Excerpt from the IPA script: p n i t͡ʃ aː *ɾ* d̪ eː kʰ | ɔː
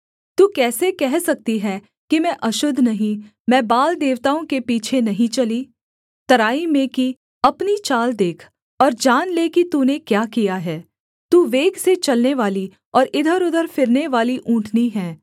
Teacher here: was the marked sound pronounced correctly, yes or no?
no